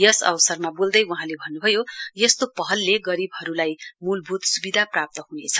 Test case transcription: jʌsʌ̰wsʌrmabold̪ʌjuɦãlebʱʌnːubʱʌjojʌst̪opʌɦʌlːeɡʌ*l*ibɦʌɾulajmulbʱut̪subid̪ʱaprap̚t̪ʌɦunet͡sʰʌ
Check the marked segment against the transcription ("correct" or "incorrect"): incorrect